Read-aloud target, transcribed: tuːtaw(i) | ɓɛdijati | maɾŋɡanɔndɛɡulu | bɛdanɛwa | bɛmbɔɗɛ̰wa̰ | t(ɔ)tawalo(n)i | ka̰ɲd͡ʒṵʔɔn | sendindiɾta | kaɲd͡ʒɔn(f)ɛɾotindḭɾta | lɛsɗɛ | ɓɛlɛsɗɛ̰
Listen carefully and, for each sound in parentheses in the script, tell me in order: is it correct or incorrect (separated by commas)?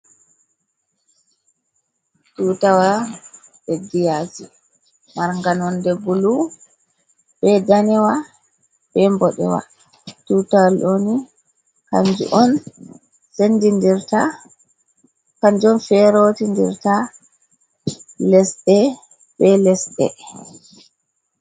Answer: incorrect, incorrect, correct, correct